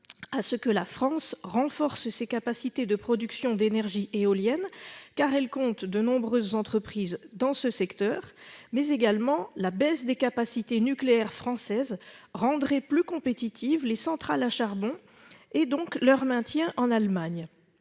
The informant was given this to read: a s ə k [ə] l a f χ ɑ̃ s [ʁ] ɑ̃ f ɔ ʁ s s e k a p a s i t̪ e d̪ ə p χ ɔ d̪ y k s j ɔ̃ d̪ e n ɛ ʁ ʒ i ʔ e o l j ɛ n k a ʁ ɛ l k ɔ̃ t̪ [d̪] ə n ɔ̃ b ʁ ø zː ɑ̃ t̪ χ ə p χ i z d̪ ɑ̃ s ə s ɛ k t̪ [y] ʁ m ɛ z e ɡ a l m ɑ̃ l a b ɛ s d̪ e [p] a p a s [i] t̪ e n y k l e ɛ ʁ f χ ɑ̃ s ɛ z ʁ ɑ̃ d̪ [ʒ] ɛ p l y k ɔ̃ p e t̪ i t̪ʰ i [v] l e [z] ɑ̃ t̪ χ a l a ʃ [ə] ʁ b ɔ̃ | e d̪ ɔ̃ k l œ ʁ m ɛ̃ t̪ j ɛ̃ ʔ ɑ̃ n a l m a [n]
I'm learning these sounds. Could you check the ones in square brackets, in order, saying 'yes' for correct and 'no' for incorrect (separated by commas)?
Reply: yes, yes, yes, no, no, yes, no, yes, no, no, no